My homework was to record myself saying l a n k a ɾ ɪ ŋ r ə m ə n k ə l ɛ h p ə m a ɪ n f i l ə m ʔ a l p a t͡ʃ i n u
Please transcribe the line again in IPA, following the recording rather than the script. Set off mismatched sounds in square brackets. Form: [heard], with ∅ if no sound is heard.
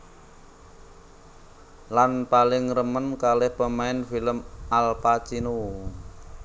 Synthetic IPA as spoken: l a n [p] a [l] ɪ ŋ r ə m ə n k [a] l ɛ h p ə m a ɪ n f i l ə m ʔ a l p a t͡ʃ i n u